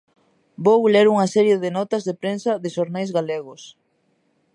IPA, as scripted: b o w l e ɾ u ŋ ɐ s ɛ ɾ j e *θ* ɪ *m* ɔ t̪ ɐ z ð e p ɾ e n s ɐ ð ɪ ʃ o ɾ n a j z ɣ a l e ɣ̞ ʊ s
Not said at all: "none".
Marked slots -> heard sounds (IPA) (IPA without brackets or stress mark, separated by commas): ð, n